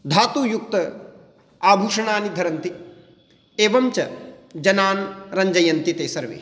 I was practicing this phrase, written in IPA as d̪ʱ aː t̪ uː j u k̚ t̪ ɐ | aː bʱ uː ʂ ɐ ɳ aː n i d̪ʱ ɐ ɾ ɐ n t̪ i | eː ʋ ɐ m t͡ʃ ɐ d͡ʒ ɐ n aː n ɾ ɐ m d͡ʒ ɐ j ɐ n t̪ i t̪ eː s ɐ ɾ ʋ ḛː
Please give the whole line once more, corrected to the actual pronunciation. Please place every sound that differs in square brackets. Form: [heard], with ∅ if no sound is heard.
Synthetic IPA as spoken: d̪ʱ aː t̪ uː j u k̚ t̪ ɐ | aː bʱ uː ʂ ɐ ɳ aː n i d̪ʱ ɐ ɾ ɐ n t̪ i | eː ʋ ɐ m t͡ʃ ɐ d͡ʒ ɐ n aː n ɾ ɐ [ɲ] d͡ʒ ɐ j ɐ n t̪ i t̪ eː s ɐ ɾ ʋ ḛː